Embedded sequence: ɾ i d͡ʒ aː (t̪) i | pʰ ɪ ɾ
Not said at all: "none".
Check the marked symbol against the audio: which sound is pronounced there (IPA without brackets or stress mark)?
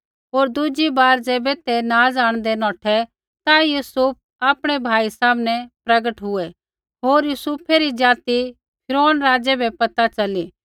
t̪